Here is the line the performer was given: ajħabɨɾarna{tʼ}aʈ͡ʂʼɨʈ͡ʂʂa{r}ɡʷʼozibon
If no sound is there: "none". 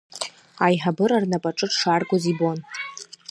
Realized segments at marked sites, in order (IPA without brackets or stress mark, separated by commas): pʼ, r